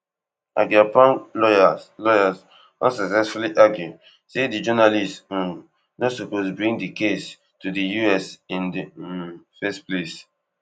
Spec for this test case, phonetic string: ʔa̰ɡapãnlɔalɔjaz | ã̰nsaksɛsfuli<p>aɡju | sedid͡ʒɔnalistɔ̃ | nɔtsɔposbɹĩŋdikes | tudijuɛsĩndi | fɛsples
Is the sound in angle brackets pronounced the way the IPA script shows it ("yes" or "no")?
no